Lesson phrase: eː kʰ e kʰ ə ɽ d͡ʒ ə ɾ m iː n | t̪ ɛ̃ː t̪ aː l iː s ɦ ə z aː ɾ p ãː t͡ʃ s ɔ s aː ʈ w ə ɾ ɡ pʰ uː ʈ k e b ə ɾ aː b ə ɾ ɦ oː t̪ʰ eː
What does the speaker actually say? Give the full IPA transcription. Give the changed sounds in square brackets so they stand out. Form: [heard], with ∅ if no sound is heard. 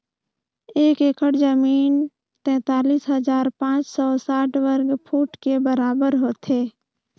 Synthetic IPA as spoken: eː [k] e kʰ ə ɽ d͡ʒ ə [∅] m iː n | t̪ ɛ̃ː t̪ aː l iː s ɦ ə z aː ɾ p ãː t͡ʃ s ɔ s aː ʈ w ə ɾ ɡ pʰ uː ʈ k e b ə ɾ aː b ə ɾ ɦ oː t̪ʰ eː